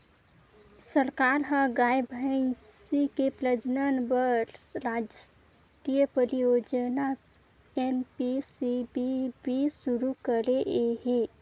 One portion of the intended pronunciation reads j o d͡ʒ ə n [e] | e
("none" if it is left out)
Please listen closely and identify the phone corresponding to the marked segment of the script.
a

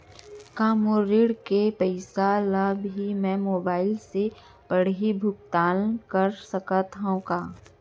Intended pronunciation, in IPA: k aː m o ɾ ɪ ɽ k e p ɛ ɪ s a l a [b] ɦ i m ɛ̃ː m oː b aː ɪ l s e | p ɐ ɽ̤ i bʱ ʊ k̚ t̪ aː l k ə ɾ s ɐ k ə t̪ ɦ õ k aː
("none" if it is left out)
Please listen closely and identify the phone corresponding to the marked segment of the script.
b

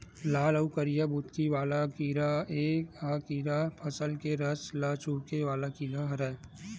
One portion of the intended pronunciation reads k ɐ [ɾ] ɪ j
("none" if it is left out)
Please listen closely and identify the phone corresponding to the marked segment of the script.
ɾ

